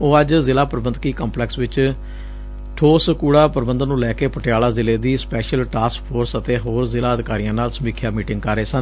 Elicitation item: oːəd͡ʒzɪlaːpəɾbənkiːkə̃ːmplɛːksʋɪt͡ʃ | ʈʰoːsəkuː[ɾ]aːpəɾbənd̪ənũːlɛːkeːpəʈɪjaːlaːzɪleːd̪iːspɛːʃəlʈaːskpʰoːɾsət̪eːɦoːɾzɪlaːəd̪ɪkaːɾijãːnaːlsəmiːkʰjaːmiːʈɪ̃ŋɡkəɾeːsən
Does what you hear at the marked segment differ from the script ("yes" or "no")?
yes